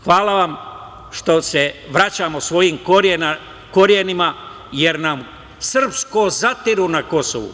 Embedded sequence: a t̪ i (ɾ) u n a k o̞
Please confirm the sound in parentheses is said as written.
yes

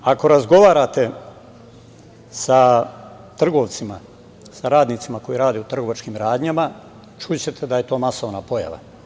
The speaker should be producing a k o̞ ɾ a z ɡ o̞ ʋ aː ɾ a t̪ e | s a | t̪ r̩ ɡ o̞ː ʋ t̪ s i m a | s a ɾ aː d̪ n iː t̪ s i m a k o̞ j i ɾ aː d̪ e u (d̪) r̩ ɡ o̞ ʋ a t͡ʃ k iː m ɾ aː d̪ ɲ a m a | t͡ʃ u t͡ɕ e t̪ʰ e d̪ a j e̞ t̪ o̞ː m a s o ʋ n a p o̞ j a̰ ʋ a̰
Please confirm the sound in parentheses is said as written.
no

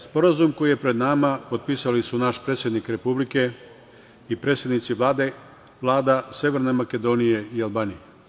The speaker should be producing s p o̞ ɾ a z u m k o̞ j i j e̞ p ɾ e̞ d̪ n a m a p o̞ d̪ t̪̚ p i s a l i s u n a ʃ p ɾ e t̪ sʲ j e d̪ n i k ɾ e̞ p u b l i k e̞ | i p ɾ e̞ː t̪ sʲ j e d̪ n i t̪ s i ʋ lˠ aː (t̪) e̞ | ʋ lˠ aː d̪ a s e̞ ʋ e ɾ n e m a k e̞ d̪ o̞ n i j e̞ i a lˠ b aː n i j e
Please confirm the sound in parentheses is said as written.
no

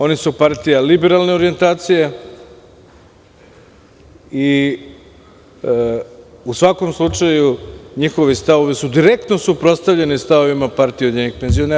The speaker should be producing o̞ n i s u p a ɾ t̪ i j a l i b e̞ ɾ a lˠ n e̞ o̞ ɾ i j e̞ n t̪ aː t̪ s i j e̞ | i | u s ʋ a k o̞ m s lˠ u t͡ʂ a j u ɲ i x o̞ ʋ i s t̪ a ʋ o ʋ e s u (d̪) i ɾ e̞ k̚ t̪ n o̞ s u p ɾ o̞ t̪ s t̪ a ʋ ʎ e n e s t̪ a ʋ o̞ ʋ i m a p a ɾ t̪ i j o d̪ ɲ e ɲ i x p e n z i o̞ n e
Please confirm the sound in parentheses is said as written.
yes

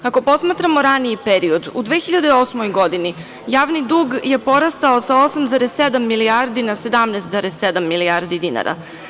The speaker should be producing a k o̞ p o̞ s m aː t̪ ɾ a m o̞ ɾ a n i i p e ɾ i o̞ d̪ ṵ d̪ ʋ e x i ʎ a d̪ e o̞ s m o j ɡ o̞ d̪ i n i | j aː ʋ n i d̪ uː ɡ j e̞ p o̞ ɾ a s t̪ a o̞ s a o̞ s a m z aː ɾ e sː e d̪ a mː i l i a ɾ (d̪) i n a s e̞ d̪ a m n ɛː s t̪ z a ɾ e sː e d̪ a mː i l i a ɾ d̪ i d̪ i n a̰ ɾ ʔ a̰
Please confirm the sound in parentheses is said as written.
yes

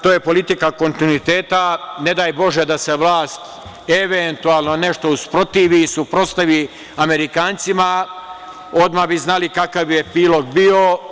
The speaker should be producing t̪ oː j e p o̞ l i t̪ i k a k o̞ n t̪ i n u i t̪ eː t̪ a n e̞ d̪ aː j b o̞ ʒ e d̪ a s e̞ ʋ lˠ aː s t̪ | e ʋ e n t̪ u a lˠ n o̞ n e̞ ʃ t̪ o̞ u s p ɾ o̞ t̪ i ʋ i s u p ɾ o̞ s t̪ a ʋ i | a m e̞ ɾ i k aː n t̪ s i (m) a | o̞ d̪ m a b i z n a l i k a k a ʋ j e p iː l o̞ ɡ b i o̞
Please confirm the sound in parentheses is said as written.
yes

